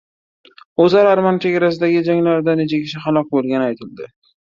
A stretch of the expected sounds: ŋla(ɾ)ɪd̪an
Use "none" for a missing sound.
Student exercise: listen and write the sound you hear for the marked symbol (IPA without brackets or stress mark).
ɾ